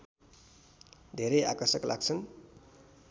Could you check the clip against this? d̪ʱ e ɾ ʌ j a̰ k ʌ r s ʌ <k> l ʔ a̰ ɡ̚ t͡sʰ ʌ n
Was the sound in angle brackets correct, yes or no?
yes